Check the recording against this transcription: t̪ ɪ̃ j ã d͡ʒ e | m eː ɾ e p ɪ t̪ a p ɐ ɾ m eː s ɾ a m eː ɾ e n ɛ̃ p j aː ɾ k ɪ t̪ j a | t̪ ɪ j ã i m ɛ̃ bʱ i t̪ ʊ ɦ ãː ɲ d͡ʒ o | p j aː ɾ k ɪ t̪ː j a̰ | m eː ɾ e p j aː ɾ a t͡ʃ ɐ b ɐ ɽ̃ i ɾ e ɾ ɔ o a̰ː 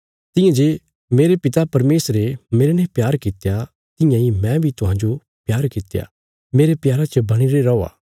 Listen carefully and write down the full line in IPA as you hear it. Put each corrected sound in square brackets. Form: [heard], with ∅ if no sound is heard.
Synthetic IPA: t̪ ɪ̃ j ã d͡ʒ e | m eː ɾ e p ɪ t̪ a p ɐ ɾ m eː s ɾ [e] m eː ɾ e n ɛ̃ p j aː ɾ k ɪ t̪ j a | t̪ ɪ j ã i m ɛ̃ bʱ i t̪ ʊ ɦ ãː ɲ d͡ʒ o | p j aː ɾ k ɪ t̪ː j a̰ | m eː ɾ e p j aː ɾ a t͡ʃ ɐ b ɐ ɽ̃ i ɾ e ɾ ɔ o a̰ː

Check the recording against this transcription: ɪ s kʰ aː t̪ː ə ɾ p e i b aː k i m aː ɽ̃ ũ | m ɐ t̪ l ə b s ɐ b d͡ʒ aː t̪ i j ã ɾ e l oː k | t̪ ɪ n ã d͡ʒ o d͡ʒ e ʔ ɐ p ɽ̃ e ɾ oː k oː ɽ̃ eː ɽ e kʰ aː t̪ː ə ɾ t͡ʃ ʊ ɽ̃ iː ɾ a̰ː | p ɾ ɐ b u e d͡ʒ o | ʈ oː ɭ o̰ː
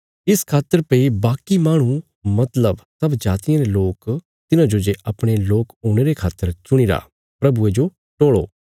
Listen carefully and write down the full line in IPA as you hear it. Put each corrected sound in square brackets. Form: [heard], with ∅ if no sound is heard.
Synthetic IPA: ɪ s kʰ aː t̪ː ə ɾ p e i b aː k i m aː ɽ̃ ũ | m ɐ t̪ l ə b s ɐ b d͡ʒ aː t̪ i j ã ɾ e l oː k | t̪ ɪ n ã d͡ʒ o d͡ʒ e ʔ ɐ p ɽ̃ e [l] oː k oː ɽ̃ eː [ɾ] e kʰ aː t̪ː ə ɾ t͡ʃ ʊ ɽ̃ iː ɾ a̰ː | p ɾ ɐ b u e d͡ʒ o | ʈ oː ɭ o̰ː

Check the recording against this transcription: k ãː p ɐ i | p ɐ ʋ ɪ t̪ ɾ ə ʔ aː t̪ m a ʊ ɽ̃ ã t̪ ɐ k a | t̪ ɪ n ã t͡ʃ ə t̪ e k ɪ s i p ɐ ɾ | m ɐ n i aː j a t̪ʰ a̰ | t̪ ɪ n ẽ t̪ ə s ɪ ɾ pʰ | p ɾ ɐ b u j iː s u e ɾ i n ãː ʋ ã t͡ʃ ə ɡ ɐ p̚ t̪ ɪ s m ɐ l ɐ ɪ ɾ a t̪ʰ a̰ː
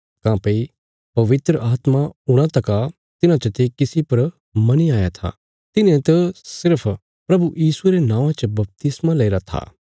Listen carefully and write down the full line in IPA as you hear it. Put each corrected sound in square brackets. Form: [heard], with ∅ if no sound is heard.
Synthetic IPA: k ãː p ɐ i | p ɐ ʋ ɪ t̪ ɾ ə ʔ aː t̪ m a ʊ ɽ̃ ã t̪ ɐ k a | t̪ ɪ n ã t͡ʃ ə t̪ e k ɪ s i p ɐ ɾ | m ɐ n i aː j a t̪ʰ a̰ | t̪ ɪ n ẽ t̪ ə s ɪ ɾ pʰ | p ɾ ɐ b u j iː s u e ɾ [e] n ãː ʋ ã t͡ʃ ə [b] ɐ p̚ t̪ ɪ s m [a] l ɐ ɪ ɾ a t̪ʰ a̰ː

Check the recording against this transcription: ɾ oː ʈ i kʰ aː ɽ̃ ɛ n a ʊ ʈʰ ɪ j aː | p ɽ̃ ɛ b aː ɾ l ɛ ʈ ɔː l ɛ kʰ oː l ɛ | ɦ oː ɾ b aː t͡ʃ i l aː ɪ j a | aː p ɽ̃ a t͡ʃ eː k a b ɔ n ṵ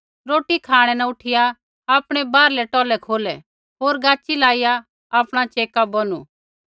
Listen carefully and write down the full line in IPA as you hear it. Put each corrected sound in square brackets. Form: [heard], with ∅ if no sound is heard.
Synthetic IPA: ɾ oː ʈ i kʰ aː ɽ̃ ɛ n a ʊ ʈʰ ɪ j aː | p ɽ̃ ɛ b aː ɾ l ɛ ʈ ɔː l ɛ kʰ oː l ɛ | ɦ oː ɾ [ɡ] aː t͡ʃ i l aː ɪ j a | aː p ɽ̃ a t͡ʃ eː k a b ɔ n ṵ

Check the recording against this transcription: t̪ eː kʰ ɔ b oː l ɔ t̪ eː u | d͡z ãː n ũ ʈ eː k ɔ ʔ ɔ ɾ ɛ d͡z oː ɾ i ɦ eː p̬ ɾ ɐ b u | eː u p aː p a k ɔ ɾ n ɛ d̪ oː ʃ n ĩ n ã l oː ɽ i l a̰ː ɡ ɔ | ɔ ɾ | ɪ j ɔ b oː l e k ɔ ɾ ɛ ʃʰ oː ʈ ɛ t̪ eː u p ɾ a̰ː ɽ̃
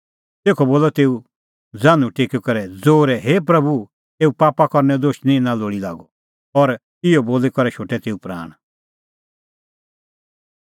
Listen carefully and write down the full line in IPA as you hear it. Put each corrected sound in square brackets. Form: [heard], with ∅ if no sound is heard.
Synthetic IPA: t̪ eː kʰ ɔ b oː l ɔ t̪ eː u | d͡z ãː n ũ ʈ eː k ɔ [k] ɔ ɾ ɛ d͡z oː ɾ [ɛ] ɦ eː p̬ ɾ ɐ b u | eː u p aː p a k ɔ ɾ n ɛ d̪ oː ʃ n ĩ n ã l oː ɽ i l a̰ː ɡ ɔ | ɔ ɾ | ɪ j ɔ b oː l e k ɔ ɾ ɛ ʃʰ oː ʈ ɛ t̪ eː u p ɾ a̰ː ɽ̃

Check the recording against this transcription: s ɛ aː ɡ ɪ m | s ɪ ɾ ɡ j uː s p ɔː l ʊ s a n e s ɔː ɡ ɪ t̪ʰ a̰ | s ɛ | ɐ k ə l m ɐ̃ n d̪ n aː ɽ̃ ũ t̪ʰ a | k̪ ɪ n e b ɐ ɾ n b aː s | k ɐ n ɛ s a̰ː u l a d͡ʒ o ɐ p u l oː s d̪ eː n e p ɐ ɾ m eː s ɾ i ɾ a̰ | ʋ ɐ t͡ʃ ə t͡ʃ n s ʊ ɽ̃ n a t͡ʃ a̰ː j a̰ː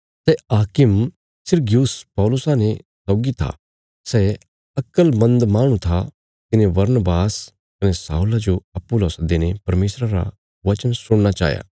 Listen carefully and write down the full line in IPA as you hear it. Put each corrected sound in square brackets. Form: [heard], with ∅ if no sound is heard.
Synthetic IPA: s ɛ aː [k] ɪ m | s ɪ ɾ ɡ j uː s p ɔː l ʊ s a n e s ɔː ɡ [i] t̪ʰ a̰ | s ɛ | ɐ k ə l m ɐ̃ n d̪ [m] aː ɽ̃ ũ t̪ʰ a | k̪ ɪ n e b ɐ ɾ n b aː s | k ɐ n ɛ s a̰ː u l a d͡ʒ o ɐ p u l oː s d̪ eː n e p ɐ ɾ m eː s ɾ [a] ɾ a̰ | ʋ ɐ t͡ʃ ə [∅] n s ʊ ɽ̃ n a t͡ʃ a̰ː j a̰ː

